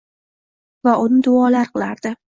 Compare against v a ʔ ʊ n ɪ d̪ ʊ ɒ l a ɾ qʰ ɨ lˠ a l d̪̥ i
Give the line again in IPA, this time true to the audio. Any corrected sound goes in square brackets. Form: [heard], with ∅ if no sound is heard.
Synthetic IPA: v a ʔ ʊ n ɪ d̪ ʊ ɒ l a ɾ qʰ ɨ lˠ a [ɾ] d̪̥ [ɪ]